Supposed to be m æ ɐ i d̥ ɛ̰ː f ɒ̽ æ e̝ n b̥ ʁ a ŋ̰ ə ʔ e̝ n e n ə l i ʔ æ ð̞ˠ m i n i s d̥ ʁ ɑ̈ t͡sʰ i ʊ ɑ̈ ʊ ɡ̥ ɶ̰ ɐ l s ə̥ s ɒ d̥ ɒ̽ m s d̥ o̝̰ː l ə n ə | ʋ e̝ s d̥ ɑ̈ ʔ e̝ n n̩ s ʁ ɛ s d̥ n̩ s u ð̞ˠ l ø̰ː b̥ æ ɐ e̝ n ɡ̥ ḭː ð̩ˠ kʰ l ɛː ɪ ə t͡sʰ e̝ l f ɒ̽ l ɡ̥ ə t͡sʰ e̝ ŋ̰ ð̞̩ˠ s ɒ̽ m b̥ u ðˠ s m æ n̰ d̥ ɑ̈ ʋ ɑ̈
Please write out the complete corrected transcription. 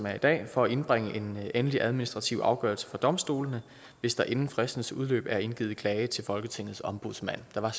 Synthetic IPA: m æ ɐ i d̥ ɛ̰ː f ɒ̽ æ e̝ n b̥ ʁ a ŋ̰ ə ʔ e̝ n e n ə l i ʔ æ ð̞ˠ m i n i s d̥ ʁ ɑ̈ t͡sʰ i ʊ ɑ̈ ʊ ɡ̥ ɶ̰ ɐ l s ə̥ f ɒ d̥ ɒ̽ m s d̥ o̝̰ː l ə n ə | ʋ e̝ s d̥ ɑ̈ ʔ e̝ n n̩ f ʁ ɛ s d̥ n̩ s u ð̞ˠ l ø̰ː b̥ æ ɐ e̝ n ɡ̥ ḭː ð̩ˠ kʰ l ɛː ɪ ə t͡sʰ e̝ l f ɒ̽ l ɡ̥ ə t͡sʰ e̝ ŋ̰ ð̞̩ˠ s ɒ̽ m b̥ u ðˠ s m æ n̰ d̥ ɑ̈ ʋ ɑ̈